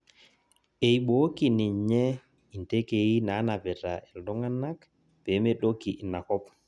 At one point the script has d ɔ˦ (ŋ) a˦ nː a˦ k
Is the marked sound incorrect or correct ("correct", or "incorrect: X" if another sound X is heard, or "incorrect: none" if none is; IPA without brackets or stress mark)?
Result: correct